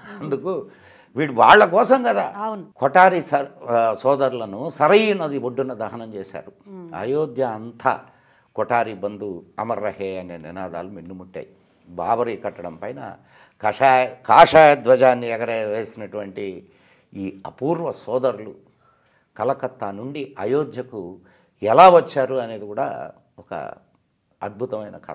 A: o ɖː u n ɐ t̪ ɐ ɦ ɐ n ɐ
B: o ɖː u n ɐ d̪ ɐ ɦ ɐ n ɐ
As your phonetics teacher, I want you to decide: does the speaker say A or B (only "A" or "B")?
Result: B